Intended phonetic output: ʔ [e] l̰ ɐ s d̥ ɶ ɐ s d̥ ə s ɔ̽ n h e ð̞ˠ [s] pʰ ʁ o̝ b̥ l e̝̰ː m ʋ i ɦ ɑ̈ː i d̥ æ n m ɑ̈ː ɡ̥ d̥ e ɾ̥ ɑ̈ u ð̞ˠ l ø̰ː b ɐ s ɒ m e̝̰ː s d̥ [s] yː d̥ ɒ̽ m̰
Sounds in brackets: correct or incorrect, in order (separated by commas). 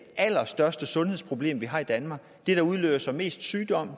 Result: incorrect, correct, correct